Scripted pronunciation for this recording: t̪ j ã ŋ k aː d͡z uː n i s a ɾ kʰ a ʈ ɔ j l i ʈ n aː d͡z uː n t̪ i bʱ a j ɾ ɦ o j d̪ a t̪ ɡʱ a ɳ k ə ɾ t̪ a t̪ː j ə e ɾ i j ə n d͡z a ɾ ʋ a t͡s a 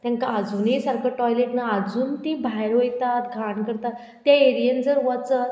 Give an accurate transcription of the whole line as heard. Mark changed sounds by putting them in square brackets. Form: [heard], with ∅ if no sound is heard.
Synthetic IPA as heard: t̪ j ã ŋ k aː d͡z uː n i s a ɾ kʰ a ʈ ɔ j l [e] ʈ n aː d͡z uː n t̪ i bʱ a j ɾ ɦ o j [t̪] a t̪ ɡʱ a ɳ k ə ɾ t̪ a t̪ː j [a] e ɾ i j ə n d͡z [ə] ɾ ʋ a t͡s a